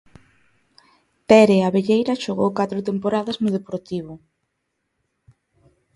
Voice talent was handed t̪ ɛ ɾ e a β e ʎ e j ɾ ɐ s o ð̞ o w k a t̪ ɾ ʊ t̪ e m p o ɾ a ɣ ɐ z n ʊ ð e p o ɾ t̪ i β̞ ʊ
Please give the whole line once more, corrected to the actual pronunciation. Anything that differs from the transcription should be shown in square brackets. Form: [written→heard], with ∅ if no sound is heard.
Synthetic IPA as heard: t̪ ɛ ɾ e a β e ʎ e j ɾ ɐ [s→ʃ] o [ð̞→ɣ̞] o w k a t̪ ɾ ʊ t̪ e m p o ɾ a [ɣ→ð] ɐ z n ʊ ð e p o ɾ t̪ i β̞ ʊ

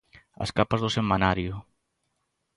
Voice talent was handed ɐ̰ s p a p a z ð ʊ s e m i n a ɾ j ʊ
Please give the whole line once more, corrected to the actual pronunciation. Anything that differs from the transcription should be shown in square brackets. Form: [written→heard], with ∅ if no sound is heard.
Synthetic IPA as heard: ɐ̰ s [p→k] a p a z ð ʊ s e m [i→a] n a ɾ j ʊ

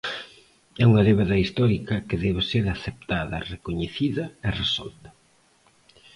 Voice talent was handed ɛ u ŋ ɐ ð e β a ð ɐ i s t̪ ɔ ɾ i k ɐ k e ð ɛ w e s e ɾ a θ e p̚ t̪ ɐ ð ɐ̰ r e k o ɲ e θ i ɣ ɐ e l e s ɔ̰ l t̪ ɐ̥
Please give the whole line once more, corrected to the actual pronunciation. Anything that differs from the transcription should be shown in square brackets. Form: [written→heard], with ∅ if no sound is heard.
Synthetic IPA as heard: ɛ u ŋ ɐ ð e β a ð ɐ i s t̪ ɔ ɾ i k ɐ k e ð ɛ [w→β] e s e ɾ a θ e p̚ t̪ [ɐ→a] ð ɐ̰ r e k o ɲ e θ i [ɣ→ð] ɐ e [l→r] e s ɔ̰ l t̪ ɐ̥

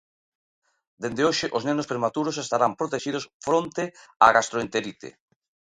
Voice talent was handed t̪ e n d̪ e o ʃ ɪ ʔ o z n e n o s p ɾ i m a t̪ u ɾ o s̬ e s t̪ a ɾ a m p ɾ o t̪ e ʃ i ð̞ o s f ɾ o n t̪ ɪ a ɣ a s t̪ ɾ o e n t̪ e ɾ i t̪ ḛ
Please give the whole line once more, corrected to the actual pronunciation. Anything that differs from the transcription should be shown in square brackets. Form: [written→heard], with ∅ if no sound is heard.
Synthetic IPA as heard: [t̪→d̪] e n d̪ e o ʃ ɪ ʔ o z n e n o s p ɾ [i→e] m a t̪ u ɾ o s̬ e s t̪ a ɾ a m p ɾ o t̪ e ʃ i ð̞ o s f ɾ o n t̪ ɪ a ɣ a s t̪ ɾ o e n t̪ e ɾ i t̪ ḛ

